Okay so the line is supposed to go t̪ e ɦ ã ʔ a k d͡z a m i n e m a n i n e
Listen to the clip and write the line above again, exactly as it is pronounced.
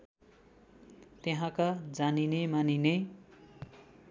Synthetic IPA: t̪ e ɦ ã k a d͡z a n i n e m a n i n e